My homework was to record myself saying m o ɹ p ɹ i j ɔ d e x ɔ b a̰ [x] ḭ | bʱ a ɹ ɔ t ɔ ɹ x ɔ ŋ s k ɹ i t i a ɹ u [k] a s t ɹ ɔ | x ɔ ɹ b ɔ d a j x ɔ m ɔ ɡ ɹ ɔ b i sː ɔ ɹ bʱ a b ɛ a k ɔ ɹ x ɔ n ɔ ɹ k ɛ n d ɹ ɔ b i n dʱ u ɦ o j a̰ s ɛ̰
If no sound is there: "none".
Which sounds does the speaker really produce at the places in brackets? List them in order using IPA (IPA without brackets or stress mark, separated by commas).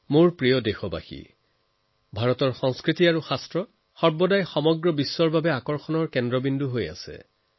x, x